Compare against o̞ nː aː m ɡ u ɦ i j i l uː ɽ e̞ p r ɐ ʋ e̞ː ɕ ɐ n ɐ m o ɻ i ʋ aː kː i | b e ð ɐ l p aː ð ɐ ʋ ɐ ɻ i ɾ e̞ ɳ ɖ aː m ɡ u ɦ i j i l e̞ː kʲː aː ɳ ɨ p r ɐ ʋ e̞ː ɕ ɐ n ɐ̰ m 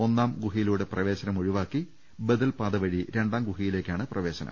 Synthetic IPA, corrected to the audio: o̞ nː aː m ɡ u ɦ i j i l uː ɽ e̞ p r ɐ ʋ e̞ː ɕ ɐ n ɐ m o ɻ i ʋ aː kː i | b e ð ɐ l p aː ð ɐ ʋ ɐ ɻ i ɾ e̞ ɳ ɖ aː m ɡ u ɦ i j i l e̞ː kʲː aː ɳ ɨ p r ɐ ʋ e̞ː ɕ ɐ n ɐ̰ m